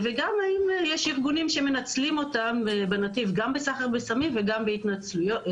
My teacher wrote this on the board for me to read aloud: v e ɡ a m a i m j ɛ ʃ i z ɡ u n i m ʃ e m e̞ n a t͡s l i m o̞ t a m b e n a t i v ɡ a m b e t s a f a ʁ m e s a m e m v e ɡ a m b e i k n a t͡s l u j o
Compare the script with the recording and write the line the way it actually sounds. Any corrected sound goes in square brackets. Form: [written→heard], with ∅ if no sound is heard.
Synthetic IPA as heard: v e ɡ a m a i m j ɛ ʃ i [z→ʁ] ɡ u n i m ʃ e m e̞ n a t͡s l i m o̞ t a m b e n a t i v ɡ a m b e [t→∅] s a [f→χ] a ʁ [m→b] e s a m [e→i] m v e ɡ a m b e i [k→t] n a t͡s l u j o

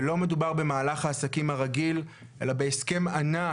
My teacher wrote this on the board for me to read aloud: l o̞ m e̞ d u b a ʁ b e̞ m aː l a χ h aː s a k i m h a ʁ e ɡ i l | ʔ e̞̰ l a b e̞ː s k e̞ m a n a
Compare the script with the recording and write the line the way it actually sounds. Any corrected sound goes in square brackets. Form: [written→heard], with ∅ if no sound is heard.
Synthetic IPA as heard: l o̞ m e̞ d u b a ʁ b e̞ m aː l a χ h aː s a k i m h a ʁ [e→a] ɡ i l | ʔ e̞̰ l a b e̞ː s k e̞ m a n a

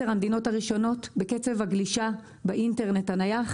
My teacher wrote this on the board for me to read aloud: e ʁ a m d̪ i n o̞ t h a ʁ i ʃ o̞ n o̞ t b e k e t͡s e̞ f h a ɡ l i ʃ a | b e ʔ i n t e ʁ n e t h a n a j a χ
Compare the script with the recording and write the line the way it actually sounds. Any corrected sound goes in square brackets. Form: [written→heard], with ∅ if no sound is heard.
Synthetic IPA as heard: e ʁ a m d̪ i n o̞ t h a ʁ i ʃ o̞ n o̞ t b e k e t͡s e̞ [f→v] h a ɡ l i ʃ a | b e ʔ i n t e ʁ n e t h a n a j a χ

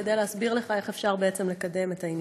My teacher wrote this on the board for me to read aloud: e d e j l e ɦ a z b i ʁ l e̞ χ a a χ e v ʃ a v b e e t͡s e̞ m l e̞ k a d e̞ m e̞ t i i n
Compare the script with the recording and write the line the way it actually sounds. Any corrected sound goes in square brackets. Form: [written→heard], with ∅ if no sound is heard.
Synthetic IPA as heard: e d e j l e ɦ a [z→s] b i ʁ l e̞ χ a [a→e] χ e [v→f] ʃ a [v→ʁ] b e e t͡s e̞ m l e̞ k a d e̞ m e̞ t [i→a] i n

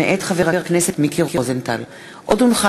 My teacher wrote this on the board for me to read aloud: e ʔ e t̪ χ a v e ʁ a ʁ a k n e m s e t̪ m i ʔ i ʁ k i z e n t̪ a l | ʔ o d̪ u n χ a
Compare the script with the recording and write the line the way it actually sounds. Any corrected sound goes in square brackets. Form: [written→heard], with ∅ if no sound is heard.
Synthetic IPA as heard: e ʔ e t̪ χ a v e ʁ a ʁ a k n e [m→∅] s e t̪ m i [ʔ→k] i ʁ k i z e n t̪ a l | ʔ o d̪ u n χ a

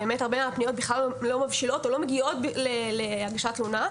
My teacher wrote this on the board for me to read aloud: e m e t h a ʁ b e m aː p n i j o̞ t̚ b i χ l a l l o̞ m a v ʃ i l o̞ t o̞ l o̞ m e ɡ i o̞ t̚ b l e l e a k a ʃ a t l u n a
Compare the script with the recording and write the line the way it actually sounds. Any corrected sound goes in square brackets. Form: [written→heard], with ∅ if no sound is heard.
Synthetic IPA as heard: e m e t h a ʁ b e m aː p n i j o̞ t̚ b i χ l a l l o̞ m a v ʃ i l o̞ t o̞ l o̞ m e ɡ i o̞ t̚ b l e l e a [k→ɡ] a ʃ a t l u n a

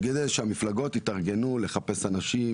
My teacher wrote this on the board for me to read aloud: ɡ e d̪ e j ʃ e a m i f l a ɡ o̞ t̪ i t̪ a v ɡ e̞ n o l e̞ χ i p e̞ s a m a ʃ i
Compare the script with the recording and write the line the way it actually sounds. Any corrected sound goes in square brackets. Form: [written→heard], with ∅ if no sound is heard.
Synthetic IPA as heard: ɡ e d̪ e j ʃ e a m i f l a ɡ o̞ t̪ i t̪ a [v→ʁ] ɡ e̞ n [o→u] l e̞ χ [i→a] p e̞ s a [m→n] a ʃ i

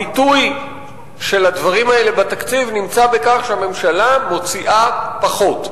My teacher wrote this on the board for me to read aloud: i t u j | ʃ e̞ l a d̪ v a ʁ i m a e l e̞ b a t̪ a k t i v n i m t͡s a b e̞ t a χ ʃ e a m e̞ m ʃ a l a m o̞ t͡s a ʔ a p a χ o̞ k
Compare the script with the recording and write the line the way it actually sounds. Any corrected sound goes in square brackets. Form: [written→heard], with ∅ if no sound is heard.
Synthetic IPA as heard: i t u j | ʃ e̞ l a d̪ v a ʁ i m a e l e̞ b a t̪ a k [t→t͡s] i v n i m t͡s a b e̞ [t→k] a χ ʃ e a m e̞ m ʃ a l a m o̞ t͡s [a→i] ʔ a p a χ o̞ [k→t]

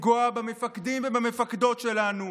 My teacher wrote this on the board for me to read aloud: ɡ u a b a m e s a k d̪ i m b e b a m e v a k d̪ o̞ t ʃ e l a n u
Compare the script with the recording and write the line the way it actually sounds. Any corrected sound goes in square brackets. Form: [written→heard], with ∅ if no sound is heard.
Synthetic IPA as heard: ɡ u a b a m e [s→f] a k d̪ i m [b→v] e b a m e [v→f] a k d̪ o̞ t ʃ e l a n u

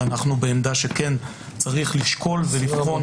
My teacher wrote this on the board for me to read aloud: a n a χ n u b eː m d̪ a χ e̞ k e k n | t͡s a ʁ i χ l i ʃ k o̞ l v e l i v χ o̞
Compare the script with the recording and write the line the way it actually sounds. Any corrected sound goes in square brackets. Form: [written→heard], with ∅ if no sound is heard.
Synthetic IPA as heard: a n a χ n u b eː m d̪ a [χ→ʃ] e̞ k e [k→∅] n | t͡s a ʁ i χ l i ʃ k o̞ l v e l i [v→f] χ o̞

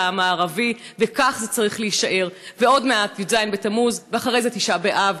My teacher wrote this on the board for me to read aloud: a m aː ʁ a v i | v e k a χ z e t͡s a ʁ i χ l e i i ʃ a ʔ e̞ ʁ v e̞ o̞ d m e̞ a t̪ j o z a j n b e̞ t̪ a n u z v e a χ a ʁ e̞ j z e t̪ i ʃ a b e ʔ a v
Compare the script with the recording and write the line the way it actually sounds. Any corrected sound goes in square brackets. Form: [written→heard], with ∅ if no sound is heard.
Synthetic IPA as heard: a m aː ʁ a v i | v e k a χ z e t͡s a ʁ i χ l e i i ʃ a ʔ e̞ ʁ v e̞ o̞ d m e̞ a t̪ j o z a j n b e̞ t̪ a [n→m] u z v e a χ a ʁ e̞ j z e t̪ i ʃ a b e ʔ a v

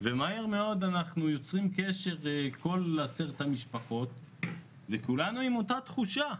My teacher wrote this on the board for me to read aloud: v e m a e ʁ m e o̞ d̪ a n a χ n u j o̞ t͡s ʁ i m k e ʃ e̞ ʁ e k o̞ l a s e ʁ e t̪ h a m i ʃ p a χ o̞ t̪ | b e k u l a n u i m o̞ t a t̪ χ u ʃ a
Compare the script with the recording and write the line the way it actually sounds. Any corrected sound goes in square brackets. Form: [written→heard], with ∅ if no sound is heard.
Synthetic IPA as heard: v e m a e ʁ m e o̞ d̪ a n a χ n u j o̞ t͡s ʁ i m k e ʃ e̞ ʁ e k o̞ l a s e ʁ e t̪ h a m i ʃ p a χ o̞ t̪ | [b→v] e k u l a n u i m o̞ t a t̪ χ u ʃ a

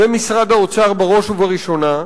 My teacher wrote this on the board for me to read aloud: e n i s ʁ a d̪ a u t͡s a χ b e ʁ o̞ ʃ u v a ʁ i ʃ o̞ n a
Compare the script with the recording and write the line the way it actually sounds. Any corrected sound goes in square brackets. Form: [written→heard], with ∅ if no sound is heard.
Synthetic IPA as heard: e [n→m] i s ʁ a d̪ a [u→o] t͡s a [χ→ʁ] b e ʁ o̞ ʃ u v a ʁ i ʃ o̞ n a

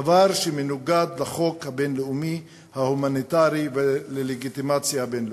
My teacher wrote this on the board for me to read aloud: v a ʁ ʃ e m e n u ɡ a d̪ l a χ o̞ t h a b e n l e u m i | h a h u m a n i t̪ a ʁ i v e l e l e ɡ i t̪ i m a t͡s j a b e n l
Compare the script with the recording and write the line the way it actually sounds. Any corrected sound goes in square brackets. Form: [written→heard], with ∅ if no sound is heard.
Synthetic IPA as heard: v a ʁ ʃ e m e n u ɡ a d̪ l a χ o̞ [t→k] h a b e n l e u m i | h a h u m a n i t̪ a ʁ i v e l e l e ɡ i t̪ i m a t͡s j a b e n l

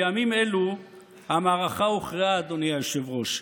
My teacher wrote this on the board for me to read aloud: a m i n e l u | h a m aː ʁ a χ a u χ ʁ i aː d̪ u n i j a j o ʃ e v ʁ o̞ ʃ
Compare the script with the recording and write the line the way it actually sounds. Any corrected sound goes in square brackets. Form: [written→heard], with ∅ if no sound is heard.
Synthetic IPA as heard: a m i [n→m] e l u | h a m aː ʁ a χ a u χ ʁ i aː d̪ [u→o] n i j a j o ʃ e v ʁ o̞ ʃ

